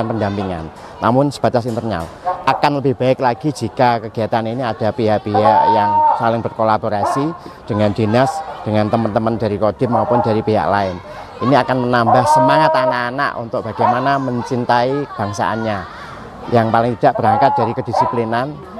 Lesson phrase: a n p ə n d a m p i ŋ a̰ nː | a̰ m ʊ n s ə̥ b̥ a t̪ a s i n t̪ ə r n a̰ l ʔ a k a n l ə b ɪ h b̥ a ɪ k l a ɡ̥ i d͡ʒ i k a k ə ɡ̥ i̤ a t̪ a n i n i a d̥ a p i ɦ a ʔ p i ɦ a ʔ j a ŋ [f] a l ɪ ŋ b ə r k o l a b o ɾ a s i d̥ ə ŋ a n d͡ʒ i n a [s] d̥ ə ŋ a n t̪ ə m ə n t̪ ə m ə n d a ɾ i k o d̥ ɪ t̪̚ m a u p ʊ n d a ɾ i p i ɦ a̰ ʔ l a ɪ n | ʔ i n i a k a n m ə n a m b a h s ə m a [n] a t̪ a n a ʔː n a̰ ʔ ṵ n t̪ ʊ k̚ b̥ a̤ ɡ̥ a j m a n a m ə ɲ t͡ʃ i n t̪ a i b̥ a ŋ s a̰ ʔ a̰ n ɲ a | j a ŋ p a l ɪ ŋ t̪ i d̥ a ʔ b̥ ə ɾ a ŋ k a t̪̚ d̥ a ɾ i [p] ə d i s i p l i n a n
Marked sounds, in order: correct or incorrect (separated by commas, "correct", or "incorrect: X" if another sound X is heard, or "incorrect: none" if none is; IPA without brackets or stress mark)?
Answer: incorrect: s, correct, incorrect: ŋ, incorrect: k